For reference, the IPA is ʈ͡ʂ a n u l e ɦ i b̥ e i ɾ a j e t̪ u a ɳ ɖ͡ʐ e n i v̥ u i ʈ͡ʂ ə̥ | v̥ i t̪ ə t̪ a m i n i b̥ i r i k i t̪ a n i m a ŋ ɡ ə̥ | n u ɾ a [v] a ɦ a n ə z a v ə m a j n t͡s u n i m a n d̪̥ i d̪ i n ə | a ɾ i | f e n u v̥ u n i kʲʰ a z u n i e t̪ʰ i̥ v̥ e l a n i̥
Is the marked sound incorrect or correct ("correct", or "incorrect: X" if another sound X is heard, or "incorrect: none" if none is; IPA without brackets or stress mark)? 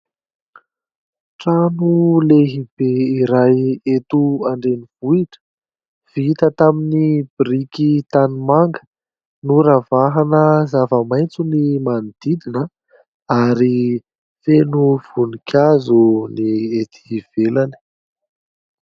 correct